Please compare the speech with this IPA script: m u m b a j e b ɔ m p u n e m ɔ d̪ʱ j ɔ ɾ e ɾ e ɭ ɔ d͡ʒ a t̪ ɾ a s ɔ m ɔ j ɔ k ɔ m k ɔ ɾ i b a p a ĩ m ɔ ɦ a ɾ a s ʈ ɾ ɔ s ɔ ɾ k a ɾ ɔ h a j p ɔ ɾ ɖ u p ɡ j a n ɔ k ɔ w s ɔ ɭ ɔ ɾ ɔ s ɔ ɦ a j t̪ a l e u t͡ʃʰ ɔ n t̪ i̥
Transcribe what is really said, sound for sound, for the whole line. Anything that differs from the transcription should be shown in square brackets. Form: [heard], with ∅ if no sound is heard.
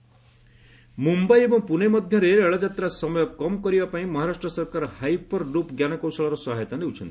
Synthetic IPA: m u m b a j e b ɔ [ŋ] p u n e m ɔ d̪ʱ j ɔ ɾ e ɾ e ɭ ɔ d͡ʒ a t̪ ɾ a s ɔ m ɔ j ɔ k ɔ m k ɔ ɾ i b a p a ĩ m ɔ ɦ a ɾ a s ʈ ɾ ɔ s ɔ ɾ k a ɾ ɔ h a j p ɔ ɾ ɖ u p ɡ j a n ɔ k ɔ w s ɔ ɭ ɔ ɾ ɔ s ɔ ɦ a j t̪ a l e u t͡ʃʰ ɔ n t̪ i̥